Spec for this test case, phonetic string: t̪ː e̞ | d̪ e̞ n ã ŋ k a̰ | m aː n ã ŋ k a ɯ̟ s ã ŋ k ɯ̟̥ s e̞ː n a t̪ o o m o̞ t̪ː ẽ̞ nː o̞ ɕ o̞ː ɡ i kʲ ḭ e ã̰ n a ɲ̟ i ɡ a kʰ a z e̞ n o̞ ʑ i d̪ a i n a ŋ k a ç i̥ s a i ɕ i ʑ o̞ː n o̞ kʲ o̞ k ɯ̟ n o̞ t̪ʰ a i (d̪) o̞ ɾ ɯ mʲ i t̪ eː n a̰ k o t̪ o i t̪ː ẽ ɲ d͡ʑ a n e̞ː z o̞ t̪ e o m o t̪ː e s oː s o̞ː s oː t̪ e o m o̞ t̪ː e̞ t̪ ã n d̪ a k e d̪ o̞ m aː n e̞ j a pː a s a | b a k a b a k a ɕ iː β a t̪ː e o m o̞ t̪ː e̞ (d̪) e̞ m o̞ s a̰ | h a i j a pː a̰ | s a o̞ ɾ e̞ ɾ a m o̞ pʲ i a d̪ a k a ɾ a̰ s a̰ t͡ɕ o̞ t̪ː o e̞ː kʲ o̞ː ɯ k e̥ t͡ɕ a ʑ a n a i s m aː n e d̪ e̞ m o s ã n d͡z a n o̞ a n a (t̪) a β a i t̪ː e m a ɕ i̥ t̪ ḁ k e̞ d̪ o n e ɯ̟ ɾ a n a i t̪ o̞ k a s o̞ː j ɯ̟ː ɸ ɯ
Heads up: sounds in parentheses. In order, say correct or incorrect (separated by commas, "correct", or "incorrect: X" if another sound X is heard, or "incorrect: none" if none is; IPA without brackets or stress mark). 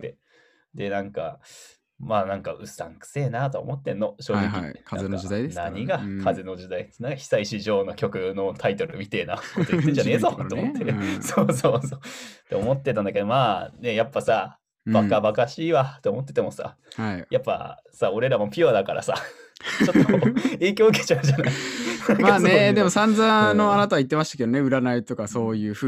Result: incorrect: t̪, incorrect: t̪, correct